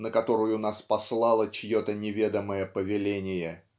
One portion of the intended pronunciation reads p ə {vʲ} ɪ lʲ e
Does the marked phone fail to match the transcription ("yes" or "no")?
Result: no